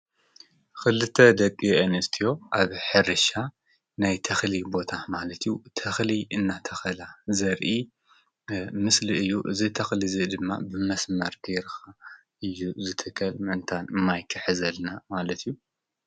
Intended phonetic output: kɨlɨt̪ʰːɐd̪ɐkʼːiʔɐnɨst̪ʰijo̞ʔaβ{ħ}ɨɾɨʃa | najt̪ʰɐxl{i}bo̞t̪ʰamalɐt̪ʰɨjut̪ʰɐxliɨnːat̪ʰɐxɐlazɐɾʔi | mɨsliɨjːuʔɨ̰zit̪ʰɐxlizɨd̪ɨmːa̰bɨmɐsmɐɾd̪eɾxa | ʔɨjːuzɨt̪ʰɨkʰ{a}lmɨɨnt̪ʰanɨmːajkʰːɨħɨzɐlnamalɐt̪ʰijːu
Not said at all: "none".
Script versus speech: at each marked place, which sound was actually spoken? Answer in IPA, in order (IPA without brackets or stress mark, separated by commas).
ħ, i, ɐ